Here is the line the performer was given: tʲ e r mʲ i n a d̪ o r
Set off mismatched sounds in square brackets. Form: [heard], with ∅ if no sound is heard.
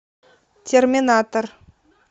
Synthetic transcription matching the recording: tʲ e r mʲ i n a [t̪] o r